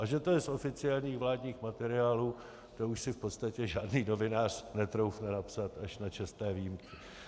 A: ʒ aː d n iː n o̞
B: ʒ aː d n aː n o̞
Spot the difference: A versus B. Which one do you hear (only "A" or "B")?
A